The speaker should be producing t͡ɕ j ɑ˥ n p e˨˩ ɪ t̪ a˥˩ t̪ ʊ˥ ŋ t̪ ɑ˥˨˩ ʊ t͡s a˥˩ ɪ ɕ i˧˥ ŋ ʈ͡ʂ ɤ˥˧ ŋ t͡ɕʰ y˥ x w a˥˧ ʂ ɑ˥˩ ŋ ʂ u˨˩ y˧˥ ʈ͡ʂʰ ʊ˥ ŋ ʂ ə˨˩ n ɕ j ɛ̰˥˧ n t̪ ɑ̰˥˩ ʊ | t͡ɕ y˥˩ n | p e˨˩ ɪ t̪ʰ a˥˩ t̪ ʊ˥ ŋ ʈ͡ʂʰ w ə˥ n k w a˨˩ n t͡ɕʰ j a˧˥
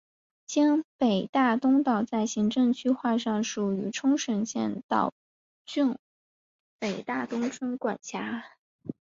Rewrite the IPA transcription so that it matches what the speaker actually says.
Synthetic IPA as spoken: t͡ɕ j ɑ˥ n p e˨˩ ɪ t̪ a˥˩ t̪ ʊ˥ ŋ t̪ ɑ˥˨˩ ʊ t͡s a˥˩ ɪ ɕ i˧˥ ŋ ʈ͡ʂ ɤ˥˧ ŋ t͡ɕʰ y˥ x w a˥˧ ʂ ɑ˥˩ ŋ ʂ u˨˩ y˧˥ ʈ͡ʂʰ ʊ˥ ŋ ʂ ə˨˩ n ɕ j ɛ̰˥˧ n t̪ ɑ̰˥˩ ʊ | t͡ɕ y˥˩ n | p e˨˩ ɪ t̪ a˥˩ t̪ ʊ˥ ŋ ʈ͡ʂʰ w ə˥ n k w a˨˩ n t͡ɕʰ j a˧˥

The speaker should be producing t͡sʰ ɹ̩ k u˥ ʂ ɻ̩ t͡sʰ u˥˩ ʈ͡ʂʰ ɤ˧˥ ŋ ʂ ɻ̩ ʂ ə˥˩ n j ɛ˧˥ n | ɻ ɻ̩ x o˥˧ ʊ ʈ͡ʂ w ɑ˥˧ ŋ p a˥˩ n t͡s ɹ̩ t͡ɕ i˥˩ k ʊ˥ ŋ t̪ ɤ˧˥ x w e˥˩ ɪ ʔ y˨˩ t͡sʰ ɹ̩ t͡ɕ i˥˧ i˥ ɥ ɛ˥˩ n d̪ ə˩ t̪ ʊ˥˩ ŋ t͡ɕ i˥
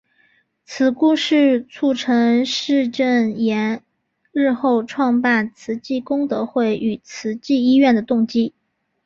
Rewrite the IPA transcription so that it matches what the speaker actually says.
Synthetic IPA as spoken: t͡sʰ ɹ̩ k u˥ ʂ ɻ̩ t͡sʰ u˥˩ ʈ͡ʂʰ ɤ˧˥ ŋ ʂ ɻ̩ ʈ͡ʂ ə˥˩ n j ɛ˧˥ n | ɻ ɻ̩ x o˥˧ ʊ ʈ͡ʂʰ w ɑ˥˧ ŋ p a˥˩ n t͡sʰ ɹ̩ t͡ɕ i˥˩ k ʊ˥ ŋ t̪ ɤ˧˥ x w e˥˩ ɪ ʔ y˨˩ t͡sʰ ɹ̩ t͡ɕ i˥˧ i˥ ɥ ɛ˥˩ n d̪ ə˩ t̪ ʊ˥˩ ŋ t͡ɕ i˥

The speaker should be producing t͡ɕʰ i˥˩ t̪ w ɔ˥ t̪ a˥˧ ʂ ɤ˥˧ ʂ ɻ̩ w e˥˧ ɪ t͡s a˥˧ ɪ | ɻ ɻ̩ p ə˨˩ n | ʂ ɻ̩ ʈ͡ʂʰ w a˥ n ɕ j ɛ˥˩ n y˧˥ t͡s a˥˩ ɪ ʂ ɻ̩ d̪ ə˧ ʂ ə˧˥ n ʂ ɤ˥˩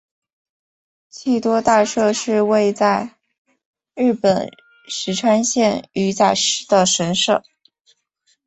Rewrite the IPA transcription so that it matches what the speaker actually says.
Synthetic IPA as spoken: t͡ɕʰ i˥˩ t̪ w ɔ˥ t̪ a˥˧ ʂ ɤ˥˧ ʂ ɻ̩ w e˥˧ ɪ t͡s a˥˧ ɪ | ɻ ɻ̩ p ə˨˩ n | ʂ ɻ̩ ʈ͡ʂʰ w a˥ n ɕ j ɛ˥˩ n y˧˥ t͡s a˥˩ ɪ ʂ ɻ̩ d̪ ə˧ ʂ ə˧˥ n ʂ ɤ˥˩

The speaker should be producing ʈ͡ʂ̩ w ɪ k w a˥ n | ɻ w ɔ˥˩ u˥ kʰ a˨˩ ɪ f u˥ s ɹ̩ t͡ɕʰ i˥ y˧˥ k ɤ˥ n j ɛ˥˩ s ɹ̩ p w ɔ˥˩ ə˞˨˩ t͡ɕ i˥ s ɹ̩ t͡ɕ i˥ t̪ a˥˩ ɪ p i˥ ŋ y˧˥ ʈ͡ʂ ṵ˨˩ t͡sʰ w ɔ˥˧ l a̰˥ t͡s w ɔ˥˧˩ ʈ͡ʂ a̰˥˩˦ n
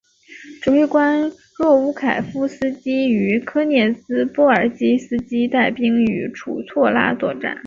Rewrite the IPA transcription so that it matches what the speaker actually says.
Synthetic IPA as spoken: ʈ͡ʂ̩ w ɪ k w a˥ n | ɻ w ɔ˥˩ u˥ kʰ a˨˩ ɪ f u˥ s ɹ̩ t͡ɕ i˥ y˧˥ kʰ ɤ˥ n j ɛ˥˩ s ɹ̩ p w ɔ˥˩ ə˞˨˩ t͡ɕ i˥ s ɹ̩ t͡ɕ i˥ t̪ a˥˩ ɪ p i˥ ŋ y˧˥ ʈ͡ʂʰ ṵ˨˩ t͡sʰ w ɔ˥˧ l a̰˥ t͡s w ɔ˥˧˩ ʈ͡ʂ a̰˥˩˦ n

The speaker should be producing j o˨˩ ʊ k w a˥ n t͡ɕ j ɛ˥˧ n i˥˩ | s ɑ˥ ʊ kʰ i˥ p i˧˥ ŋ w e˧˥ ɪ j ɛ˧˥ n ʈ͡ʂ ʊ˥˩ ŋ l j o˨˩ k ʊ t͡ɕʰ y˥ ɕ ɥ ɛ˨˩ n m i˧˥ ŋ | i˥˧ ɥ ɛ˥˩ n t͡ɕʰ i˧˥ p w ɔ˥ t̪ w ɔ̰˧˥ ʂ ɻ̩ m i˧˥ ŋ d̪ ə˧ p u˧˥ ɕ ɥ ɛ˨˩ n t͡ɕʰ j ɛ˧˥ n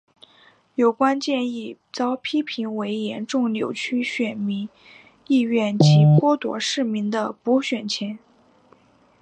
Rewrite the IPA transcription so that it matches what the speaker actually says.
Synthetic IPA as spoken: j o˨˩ ʊ k w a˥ n t͡ɕ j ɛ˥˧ n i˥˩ | t͡s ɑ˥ ʊ pʰ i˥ pʰ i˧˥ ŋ w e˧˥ ɪ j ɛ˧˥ n ʈ͡ʂ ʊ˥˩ ŋ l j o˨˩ ʊ t͡ɕʰ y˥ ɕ ɥ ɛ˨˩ n m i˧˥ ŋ | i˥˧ ɥ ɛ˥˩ n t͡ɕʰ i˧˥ p w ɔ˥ t̪ w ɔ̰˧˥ ʂ ɻ̩ m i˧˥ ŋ d̪ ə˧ p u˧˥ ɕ ɥ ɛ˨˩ n t͡ɕʰ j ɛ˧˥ n

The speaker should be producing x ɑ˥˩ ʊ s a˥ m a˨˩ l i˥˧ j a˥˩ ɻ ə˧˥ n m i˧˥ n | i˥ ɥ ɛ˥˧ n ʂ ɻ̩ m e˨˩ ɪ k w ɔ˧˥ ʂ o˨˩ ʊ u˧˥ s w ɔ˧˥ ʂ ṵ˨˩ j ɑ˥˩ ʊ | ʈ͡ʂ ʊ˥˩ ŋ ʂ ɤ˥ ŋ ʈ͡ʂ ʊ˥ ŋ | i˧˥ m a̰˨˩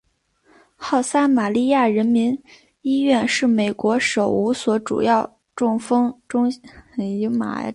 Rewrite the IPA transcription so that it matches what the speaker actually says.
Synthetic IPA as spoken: x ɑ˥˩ ʊ s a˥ m a˨˩ l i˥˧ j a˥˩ ɻ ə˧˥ n m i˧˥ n | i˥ ɥ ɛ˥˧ n ʂ ɻ̩ m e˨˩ ɪ k w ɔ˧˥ ʂ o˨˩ ʊ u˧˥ s w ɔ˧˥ ʈ͡ʂ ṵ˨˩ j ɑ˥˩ ʊ | ʈ͡ʂ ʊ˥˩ ŋ f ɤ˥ ŋ ʈ͡ʂ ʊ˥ ŋ | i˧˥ m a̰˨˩

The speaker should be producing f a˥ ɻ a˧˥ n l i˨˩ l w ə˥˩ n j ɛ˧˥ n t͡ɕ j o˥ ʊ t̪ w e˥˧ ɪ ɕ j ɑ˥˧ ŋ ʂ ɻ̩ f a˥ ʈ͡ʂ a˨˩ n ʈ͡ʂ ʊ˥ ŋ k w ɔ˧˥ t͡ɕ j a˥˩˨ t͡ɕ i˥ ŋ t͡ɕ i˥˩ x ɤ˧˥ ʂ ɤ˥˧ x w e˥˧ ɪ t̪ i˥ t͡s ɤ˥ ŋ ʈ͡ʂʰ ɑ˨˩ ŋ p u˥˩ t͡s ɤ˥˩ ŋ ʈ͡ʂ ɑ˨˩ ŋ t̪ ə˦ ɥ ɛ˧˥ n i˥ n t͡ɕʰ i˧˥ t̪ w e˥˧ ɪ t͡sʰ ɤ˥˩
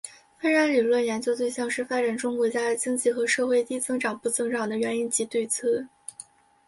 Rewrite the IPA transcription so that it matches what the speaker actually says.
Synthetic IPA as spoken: f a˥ ɻ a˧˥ n l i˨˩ l w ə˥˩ n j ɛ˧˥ n t͡ɕ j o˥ ʊ t̪ w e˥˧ ɪ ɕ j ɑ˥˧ ŋ ʂ ɻ̩ f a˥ ʈ͡ʂ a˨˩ n ʈ͡ʂ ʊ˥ ŋ k w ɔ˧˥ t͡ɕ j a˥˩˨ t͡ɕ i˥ ŋ t͡ɕ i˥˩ x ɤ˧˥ ʂ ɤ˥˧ x w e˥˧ ɪ t̪ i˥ t͡s ɤ˥ ŋ ʈ͡ʂ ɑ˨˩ ŋ p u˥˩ t͡s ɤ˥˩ ŋ ʈ͡ʂ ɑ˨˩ ŋ d̪ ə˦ ɥ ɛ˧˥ n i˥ n t͡ɕ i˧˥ t̪ w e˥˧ ɪ t͡sʰ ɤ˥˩

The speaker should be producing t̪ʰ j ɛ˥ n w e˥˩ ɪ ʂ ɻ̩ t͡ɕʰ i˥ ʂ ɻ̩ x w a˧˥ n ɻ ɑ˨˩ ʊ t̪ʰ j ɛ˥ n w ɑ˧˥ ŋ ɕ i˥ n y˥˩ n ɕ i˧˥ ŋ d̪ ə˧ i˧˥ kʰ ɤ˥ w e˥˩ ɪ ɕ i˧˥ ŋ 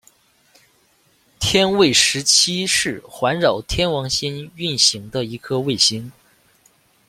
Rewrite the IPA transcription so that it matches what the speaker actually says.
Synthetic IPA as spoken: t̪ʰ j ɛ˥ n w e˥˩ ɪ ʂ ɻ̩ t͡ɕʰ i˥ ʂ ɻ̩ x w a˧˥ n ɻ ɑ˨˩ ʊ t̪ʰ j ɛ˥ n w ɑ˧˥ ŋ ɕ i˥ n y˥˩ n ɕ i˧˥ ŋ d̪ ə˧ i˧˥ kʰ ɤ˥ w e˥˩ ɪ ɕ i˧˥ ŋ

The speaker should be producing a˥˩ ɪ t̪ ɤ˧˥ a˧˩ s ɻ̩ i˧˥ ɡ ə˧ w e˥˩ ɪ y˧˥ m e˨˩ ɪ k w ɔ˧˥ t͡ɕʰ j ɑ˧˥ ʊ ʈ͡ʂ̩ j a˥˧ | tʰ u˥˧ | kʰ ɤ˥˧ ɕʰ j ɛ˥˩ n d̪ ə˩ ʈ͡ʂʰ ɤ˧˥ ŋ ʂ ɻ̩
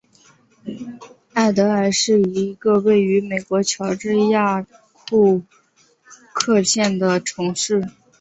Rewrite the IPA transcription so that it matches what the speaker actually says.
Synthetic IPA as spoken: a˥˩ ɪ t̪ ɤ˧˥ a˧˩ ʂ ɻ̩ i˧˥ ɡ ə˧ w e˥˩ ɪ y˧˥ m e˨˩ ɪ k w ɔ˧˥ t͡ɕʰ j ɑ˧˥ ʊ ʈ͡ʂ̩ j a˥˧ | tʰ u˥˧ | kʰ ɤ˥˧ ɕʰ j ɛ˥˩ n d̪ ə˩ ʈ͡ʂʰ ɤ˧˥ ŋ ʂ ɻ̩

